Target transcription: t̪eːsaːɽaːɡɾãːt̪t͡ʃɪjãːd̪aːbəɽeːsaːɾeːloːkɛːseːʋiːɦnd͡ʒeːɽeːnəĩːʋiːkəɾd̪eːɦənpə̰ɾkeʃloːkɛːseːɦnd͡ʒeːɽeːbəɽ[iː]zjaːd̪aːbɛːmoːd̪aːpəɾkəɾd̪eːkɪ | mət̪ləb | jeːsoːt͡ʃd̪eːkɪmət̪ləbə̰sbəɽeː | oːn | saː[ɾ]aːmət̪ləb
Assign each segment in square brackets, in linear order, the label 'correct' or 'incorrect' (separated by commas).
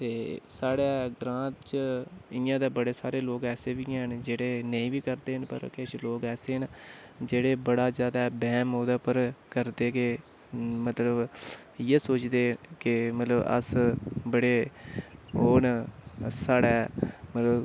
incorrect, incorrect